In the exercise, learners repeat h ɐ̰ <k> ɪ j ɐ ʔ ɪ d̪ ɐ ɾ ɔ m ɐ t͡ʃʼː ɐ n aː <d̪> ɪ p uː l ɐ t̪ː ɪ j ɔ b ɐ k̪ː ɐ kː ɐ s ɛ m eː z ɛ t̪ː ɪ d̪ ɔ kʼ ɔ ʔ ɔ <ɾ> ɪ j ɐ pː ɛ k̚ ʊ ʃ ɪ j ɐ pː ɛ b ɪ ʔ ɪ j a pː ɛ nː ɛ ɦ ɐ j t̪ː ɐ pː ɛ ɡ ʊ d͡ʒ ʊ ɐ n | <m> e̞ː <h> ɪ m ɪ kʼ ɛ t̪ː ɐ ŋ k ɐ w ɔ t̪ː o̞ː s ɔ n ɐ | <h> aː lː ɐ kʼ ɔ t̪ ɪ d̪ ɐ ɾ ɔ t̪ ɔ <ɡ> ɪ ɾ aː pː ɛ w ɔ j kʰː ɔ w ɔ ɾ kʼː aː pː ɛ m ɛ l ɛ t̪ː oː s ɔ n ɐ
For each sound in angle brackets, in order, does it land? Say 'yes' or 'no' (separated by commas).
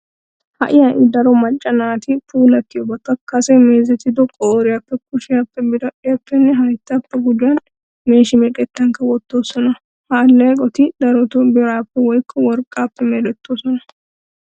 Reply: no, no, yes, yes, no, yes, no